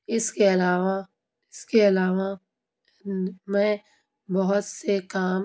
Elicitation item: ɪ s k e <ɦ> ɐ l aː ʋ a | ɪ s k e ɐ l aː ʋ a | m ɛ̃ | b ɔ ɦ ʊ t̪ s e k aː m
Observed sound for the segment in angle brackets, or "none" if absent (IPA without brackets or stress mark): none